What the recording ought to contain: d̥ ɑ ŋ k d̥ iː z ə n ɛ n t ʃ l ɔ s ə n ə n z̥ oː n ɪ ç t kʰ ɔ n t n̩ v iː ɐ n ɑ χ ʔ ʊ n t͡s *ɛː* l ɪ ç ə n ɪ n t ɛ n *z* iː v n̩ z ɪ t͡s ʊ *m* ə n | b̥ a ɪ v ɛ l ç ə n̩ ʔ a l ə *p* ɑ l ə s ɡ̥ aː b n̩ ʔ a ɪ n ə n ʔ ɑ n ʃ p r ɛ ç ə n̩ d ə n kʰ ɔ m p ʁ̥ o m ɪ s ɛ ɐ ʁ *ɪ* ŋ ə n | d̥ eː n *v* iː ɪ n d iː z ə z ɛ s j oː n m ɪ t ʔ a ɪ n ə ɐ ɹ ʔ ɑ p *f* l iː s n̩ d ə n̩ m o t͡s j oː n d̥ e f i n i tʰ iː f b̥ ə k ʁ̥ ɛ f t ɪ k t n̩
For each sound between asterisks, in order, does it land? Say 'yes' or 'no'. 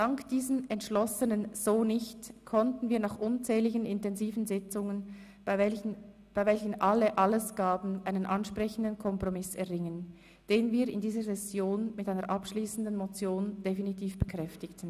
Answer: yes, yes, no, no, yes, yes, no

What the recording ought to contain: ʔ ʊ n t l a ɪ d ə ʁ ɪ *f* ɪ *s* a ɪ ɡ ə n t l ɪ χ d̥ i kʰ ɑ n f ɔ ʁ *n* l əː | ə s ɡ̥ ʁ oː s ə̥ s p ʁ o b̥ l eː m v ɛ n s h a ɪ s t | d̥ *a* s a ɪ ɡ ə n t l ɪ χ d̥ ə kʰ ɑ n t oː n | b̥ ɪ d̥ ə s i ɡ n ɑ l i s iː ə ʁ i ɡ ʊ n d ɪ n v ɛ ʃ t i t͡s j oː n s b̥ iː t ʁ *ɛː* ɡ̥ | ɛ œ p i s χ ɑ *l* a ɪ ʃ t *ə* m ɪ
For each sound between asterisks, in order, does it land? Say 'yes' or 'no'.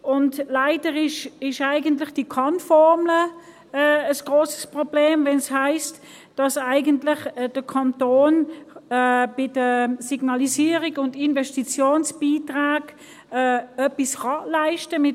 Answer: no, no, no, no, no, yes, yes

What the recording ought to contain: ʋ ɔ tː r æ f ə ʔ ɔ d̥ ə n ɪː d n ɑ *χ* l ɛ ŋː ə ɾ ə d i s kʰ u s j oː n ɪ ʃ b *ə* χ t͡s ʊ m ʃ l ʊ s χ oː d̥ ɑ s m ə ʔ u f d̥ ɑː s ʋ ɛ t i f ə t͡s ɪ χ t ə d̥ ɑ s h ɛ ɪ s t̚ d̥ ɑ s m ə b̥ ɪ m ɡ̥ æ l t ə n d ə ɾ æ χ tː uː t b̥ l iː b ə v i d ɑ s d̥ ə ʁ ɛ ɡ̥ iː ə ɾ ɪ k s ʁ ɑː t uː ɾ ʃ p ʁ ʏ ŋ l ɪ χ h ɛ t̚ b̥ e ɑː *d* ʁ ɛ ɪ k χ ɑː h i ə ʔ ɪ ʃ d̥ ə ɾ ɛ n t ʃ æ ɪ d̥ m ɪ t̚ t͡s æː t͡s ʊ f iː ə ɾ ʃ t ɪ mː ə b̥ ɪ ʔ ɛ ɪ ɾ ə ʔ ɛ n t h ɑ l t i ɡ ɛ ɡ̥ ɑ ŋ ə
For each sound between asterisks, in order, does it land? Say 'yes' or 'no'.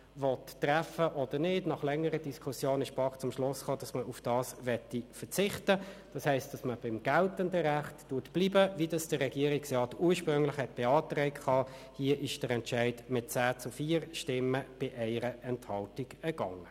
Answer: yes, no, no

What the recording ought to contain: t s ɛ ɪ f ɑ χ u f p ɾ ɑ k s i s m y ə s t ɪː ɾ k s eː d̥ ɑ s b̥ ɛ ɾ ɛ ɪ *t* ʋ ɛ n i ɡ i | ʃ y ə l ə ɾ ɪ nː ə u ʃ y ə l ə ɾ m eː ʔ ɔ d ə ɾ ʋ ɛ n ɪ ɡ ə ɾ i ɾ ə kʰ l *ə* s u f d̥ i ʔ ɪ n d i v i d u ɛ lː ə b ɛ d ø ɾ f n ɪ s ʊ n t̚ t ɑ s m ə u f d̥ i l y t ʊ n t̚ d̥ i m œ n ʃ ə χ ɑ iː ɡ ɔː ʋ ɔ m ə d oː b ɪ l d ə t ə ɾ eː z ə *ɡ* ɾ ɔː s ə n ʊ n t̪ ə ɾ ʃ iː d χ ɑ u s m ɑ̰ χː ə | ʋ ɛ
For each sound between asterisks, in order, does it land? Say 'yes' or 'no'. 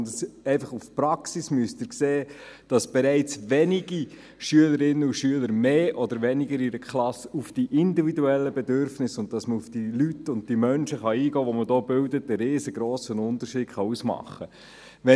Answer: no, no, yes

